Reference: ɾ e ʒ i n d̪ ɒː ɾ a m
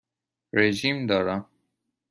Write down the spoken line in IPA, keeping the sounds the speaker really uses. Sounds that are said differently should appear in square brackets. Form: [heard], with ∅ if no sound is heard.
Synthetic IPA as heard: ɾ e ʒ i [m] d̪ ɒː ɾ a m